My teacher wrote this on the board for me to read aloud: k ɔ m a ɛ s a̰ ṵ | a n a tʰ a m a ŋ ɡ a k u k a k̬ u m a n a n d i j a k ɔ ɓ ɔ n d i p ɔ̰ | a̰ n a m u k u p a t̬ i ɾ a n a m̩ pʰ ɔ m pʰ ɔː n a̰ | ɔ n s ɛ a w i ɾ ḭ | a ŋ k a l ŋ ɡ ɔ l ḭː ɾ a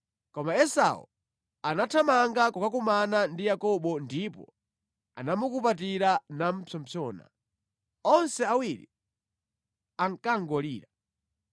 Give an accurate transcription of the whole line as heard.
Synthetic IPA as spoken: k ɔ m a ɛ s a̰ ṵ | a n a tʰ a m a ŋ ɡ a k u k a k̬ u m a n a n d i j a k ɔ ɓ ɔ n d i p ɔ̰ | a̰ n a m u k u p a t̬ i ɾ a n a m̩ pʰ ɔ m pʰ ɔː n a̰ | ɔ n s ɛ a w i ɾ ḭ | a ŋ k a ŋ ɡ ɔ l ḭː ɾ a